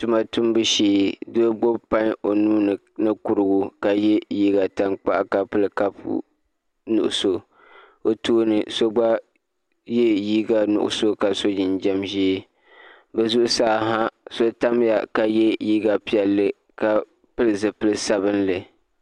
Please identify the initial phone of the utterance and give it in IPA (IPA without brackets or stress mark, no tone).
t